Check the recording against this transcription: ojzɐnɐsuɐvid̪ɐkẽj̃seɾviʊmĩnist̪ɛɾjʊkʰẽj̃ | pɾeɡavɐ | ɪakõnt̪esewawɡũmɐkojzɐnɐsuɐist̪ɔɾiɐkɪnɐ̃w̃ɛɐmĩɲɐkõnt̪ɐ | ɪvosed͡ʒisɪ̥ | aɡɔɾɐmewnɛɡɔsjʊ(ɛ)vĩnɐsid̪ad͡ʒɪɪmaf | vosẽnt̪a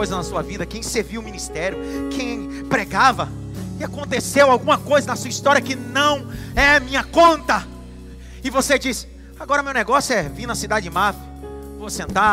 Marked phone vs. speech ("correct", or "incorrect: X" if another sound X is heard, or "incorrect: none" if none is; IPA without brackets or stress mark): correct